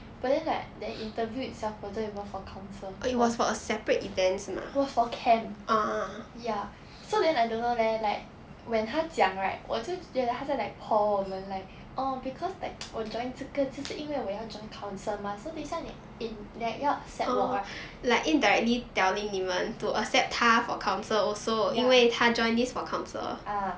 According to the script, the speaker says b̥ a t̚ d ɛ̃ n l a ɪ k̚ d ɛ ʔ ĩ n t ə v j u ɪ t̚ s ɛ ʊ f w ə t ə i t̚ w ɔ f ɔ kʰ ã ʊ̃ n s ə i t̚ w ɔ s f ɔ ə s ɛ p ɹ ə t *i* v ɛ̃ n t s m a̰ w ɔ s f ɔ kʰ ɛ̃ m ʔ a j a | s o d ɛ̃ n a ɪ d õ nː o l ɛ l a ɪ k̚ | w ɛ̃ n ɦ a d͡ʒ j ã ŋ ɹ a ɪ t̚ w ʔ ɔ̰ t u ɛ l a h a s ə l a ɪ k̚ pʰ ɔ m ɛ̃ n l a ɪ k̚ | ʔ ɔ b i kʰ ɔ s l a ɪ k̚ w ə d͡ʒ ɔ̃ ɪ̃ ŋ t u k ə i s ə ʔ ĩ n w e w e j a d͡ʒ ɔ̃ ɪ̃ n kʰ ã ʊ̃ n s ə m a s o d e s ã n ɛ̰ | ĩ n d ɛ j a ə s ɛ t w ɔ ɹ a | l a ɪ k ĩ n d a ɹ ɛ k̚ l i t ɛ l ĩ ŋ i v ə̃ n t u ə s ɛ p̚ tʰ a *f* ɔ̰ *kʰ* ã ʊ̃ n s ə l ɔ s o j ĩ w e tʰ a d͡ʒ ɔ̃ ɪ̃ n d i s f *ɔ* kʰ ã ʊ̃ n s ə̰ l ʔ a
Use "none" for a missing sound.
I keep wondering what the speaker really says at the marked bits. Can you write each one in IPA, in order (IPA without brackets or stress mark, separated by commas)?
i, f, kʰ, ɔ